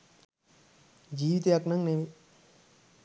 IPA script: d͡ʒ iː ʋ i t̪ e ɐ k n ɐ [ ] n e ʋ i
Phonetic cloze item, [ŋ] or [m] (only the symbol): ŋ